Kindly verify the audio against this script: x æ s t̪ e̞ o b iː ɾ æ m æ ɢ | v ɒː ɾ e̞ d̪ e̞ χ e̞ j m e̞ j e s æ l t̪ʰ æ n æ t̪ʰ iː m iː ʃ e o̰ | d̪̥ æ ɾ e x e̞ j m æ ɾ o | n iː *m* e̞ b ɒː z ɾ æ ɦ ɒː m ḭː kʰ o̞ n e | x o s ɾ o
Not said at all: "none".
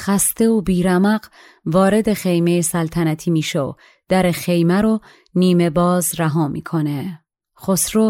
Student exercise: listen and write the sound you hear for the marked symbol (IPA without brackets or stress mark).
m